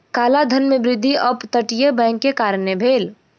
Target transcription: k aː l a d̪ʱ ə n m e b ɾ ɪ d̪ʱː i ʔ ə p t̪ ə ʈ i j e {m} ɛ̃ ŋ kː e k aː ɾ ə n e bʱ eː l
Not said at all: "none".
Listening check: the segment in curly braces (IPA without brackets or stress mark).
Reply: b